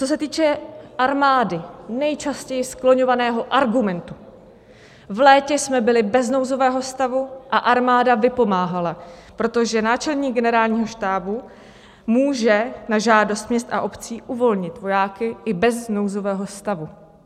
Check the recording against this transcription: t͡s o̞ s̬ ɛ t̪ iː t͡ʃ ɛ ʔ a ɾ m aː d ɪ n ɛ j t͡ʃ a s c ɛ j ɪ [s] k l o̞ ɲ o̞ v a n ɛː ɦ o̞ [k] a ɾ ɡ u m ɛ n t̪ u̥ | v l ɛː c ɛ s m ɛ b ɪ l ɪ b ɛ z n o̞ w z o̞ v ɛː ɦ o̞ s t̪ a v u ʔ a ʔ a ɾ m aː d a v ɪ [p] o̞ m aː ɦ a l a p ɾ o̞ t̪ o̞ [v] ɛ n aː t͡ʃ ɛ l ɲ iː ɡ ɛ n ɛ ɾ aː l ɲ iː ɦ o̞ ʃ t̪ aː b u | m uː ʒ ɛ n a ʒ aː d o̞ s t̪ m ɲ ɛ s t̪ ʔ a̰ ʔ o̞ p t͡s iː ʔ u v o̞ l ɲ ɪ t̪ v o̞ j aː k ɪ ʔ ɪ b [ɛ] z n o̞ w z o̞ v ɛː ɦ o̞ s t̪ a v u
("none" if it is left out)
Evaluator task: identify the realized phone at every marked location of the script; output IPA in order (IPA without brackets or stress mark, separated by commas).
s, ʔ, p, ʒ, ɛ